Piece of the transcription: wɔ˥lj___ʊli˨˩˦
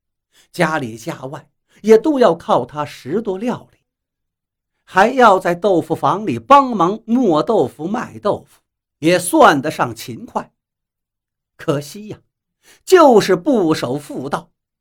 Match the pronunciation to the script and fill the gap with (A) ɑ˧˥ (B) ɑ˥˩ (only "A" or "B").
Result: B